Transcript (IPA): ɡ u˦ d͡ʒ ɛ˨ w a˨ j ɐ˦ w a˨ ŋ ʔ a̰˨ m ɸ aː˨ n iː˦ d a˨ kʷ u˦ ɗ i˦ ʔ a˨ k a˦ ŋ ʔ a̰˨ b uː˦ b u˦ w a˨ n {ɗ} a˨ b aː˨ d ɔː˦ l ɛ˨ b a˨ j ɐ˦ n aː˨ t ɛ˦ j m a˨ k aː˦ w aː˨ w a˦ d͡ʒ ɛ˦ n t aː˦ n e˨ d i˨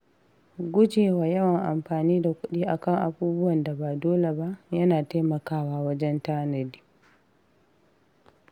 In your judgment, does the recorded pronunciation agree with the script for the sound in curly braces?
no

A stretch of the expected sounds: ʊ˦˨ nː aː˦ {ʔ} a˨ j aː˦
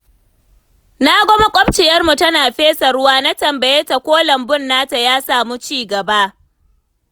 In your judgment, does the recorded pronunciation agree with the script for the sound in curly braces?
no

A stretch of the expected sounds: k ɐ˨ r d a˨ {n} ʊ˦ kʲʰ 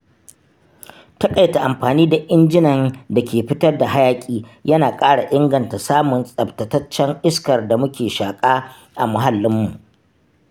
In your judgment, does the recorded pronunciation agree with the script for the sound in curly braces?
no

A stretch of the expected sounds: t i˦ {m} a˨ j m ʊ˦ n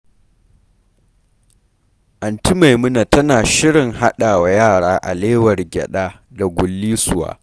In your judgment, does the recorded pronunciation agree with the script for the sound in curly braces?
yes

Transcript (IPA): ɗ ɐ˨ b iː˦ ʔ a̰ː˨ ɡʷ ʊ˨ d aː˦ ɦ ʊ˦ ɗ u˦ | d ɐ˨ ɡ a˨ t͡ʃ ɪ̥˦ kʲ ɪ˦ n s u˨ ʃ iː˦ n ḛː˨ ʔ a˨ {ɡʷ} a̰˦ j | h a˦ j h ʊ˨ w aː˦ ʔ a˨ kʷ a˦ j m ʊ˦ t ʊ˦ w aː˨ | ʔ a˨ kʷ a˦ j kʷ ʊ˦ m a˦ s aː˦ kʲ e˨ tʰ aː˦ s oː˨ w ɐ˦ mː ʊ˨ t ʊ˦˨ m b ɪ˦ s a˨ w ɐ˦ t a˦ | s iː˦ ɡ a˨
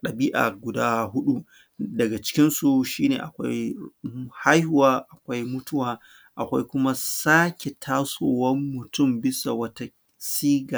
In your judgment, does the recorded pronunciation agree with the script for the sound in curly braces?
no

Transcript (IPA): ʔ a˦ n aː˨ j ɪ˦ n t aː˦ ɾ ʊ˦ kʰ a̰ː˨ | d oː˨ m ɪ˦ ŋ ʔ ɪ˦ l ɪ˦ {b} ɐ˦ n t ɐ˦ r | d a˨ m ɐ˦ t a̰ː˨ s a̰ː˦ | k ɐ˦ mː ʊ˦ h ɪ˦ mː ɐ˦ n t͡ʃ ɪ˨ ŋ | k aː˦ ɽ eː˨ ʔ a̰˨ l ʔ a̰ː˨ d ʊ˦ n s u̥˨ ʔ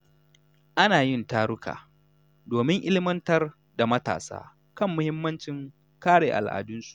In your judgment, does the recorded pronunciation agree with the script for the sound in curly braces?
no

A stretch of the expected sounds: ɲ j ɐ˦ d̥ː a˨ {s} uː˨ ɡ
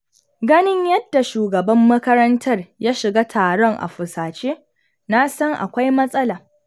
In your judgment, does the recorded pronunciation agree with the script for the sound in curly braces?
no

